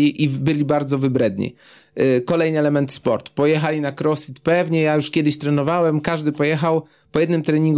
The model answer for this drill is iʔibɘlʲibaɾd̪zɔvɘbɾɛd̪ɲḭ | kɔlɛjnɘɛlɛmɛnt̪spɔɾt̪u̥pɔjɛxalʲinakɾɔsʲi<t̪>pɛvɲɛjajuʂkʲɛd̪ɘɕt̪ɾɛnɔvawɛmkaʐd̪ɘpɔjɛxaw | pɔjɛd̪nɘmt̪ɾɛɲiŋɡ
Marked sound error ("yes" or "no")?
no